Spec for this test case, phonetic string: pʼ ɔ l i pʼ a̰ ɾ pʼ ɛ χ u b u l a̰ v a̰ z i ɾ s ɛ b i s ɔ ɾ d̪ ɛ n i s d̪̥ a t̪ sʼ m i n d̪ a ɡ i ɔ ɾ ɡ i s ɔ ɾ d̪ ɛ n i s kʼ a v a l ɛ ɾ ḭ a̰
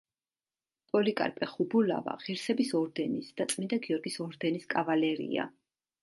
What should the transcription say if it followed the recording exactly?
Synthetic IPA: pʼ ɔ l i kʼ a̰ ɾ pʼ ɛ χ u b u l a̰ v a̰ ʁ i ɾ s ɛ b i s ɔ ɾ d̪ ɛ n i s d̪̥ a t̪ sʼ m i n d̪ a ɡ i ɔ ɾ ɡ i s ɔ ɾ d̪ ɛ n i s kʼ a v a l ɛ ɾ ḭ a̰